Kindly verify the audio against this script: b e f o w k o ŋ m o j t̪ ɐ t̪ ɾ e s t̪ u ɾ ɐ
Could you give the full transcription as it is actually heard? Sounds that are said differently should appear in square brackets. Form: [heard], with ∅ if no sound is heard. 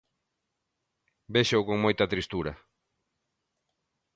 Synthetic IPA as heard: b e [ʃ] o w k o ŋ m o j t̪ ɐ t̪ ɾ [i] s t̪ u ɾ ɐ